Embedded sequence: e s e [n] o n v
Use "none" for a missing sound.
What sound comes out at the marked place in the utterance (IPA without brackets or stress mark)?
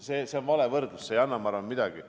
none